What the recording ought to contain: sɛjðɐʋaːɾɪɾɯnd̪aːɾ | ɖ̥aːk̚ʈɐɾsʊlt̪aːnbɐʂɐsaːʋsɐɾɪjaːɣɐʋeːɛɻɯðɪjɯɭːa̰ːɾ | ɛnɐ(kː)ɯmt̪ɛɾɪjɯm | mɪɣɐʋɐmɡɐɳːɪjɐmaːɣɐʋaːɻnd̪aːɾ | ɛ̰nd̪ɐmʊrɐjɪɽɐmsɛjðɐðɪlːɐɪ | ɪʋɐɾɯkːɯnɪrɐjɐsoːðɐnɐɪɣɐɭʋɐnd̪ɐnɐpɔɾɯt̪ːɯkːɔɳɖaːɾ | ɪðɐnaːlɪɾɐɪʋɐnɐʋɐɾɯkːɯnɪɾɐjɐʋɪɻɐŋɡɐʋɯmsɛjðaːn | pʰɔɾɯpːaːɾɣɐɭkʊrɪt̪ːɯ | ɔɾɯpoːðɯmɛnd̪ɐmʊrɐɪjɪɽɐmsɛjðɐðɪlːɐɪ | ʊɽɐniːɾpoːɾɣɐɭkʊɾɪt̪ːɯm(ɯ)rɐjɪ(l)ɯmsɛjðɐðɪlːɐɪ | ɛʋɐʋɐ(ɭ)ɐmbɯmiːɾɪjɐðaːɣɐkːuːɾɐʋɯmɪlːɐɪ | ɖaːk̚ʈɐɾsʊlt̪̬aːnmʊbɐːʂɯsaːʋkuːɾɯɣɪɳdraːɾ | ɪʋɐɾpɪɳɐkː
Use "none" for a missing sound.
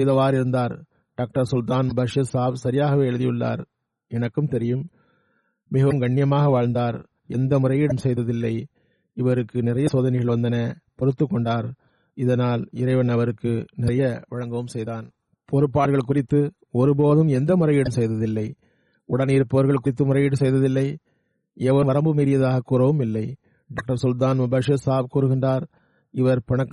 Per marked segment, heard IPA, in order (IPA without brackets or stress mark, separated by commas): kː, ʊ, ɽ, ɾ